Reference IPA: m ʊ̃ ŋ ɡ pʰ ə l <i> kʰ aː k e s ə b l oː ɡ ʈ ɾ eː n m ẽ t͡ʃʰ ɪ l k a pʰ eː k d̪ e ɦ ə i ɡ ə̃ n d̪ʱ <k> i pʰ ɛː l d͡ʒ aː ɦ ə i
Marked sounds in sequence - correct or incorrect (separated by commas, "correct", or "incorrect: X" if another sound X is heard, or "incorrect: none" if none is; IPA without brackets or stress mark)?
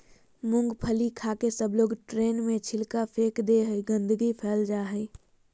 correct, incorrect: ɡ